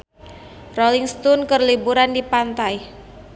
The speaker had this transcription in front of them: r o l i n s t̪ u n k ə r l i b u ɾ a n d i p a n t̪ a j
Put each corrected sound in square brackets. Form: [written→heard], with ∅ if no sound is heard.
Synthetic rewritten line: r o l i [n→ŋ] s t̪ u n k ə r l i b u ɾ a n d i p a n t̪ a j